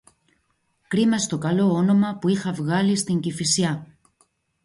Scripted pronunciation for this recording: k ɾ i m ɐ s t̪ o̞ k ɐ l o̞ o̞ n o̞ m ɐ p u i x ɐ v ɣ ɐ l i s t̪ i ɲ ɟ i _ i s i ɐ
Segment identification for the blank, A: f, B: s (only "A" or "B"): A